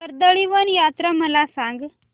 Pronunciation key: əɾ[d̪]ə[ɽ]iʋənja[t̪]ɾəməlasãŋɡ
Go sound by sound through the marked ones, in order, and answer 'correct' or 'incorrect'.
correct, incorrect, correct

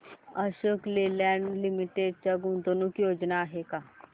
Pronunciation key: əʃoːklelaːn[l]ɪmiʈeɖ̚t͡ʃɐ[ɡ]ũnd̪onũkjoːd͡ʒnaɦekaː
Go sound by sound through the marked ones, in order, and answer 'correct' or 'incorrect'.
correct, correct

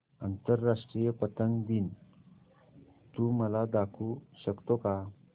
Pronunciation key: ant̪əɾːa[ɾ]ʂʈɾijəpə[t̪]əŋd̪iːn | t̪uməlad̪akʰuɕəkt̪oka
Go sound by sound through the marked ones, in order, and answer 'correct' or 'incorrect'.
incorrect, correct

